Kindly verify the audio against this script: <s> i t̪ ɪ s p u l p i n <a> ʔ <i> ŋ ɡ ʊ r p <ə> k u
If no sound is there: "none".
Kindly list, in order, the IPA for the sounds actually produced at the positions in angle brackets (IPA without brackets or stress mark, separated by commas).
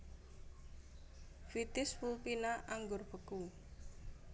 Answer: f, a, a, ə